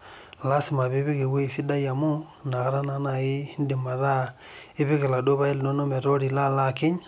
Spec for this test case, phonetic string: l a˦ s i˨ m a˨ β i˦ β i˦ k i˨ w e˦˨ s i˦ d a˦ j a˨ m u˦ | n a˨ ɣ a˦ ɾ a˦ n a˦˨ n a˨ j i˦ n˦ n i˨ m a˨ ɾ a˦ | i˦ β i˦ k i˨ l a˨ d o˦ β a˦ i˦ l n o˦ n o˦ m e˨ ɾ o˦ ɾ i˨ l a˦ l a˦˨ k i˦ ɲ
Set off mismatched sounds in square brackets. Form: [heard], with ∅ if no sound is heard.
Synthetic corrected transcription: l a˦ s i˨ m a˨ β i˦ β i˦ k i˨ w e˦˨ s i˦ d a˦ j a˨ m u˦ | n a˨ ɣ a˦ ɾ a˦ n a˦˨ n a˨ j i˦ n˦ [d] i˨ m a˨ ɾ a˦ | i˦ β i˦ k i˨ l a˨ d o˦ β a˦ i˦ l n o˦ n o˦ m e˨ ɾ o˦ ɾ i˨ l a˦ l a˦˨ k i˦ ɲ